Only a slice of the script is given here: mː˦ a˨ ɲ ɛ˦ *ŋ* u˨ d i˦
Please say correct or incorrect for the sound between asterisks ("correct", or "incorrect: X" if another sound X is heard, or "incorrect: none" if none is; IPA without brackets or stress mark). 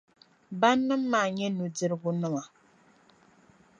incorrect: n